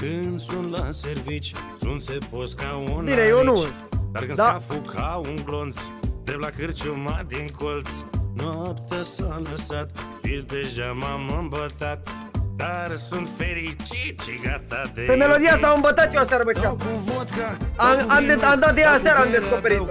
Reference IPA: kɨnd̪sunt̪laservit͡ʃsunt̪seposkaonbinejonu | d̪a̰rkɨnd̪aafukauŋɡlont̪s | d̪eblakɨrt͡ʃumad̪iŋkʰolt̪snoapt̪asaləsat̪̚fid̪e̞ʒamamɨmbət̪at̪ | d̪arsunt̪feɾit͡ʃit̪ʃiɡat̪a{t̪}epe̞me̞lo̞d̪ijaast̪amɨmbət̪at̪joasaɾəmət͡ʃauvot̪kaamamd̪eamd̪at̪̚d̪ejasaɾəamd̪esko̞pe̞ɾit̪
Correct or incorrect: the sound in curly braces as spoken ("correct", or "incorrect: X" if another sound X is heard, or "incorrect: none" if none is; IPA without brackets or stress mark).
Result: incorrect: d̪